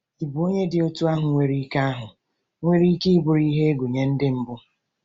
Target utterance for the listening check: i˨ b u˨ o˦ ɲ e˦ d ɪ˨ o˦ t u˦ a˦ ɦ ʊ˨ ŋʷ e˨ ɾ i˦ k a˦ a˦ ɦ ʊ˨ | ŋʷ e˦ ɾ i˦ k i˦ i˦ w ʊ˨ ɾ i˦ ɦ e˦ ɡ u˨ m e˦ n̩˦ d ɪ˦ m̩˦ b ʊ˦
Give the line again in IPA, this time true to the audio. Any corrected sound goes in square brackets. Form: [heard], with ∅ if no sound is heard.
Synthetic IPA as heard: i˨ b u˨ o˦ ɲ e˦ d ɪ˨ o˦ t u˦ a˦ ɦ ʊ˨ ŋʷ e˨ ɾ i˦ k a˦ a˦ ɦ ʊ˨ | ŋʷ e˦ ɾ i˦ k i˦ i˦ [b] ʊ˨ ɾ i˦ ɦ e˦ ɡ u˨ [ɲ] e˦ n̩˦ d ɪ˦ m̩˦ b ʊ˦